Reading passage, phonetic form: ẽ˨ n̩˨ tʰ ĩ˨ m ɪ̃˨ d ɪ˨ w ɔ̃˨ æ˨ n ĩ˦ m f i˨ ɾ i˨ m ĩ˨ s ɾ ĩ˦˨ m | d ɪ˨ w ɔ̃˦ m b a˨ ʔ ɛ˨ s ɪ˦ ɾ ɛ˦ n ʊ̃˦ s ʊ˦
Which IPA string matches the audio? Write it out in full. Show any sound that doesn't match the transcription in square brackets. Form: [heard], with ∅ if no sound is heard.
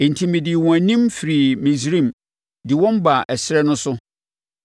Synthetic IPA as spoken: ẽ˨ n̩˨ tʰ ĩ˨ m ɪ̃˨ d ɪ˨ w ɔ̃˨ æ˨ n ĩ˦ m f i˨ ɾ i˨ m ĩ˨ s ɾ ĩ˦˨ m | d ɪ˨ w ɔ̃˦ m b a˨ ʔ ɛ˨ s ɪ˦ ɾ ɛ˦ n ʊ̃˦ s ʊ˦